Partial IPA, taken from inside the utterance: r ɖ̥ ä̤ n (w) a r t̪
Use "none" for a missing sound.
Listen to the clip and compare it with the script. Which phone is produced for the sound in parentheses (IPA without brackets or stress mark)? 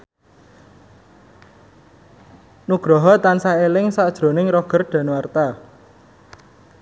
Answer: w